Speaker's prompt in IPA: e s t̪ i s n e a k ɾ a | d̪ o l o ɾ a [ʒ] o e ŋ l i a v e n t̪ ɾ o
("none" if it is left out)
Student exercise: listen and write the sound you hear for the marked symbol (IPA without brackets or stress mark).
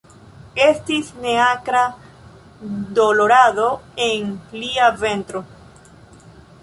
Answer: ð